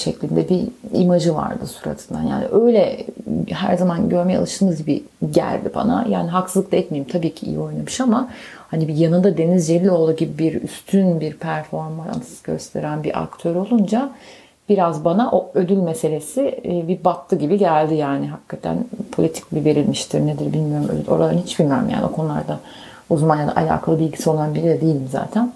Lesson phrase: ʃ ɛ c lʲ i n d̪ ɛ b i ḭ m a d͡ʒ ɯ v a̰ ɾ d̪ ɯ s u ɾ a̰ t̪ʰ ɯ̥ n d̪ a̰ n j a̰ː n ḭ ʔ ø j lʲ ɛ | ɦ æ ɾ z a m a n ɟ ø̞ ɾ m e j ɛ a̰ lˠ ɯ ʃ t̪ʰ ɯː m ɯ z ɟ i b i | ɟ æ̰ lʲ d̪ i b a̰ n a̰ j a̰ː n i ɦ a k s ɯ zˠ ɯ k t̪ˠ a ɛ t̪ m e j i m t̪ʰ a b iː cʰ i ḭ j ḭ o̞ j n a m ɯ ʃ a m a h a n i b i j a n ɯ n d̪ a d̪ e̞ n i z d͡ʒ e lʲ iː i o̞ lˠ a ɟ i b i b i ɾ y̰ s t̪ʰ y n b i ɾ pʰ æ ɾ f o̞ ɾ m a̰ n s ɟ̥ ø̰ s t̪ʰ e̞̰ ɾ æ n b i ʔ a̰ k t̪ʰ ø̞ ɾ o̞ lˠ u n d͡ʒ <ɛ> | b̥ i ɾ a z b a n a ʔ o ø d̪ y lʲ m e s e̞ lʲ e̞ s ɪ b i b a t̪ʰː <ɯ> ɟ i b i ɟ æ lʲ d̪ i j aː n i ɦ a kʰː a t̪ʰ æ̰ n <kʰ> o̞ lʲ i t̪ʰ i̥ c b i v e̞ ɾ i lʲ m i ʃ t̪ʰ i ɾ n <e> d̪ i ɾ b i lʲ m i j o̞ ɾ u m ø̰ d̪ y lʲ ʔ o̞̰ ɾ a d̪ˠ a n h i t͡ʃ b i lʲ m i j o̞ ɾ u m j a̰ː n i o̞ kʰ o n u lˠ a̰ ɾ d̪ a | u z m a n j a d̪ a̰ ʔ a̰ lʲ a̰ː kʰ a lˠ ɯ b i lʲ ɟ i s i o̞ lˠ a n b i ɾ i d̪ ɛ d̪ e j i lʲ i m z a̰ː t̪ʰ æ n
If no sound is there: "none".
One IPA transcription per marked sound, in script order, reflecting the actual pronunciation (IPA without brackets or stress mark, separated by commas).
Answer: a, ɯ, pʰ, e